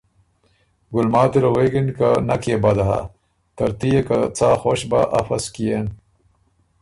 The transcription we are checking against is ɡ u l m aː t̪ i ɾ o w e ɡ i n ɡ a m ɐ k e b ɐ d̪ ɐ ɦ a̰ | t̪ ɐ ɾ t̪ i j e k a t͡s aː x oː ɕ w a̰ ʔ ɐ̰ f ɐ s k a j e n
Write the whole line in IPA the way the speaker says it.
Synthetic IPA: ɡ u l m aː t̪ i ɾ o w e ɡ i n k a n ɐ k e b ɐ d̪ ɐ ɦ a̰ | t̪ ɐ ɾ t̪ i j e k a t͡s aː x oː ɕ b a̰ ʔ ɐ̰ f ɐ s k i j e n